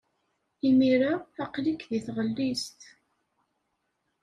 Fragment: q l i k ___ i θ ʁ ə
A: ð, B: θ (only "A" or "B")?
A